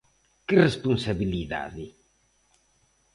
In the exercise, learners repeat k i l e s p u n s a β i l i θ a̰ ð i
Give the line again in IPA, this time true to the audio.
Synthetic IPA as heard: k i r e s p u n s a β i l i ð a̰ ð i